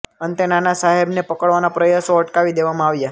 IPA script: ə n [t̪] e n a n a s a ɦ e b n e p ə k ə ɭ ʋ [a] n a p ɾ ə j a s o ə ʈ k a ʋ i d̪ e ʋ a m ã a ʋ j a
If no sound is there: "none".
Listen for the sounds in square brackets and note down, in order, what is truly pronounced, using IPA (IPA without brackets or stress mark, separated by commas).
t̪, a